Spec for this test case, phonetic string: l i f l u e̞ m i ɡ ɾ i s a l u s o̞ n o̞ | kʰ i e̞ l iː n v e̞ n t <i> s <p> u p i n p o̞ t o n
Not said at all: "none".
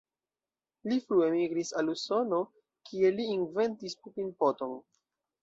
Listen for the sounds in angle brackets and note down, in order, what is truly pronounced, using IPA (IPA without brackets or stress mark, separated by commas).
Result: i, p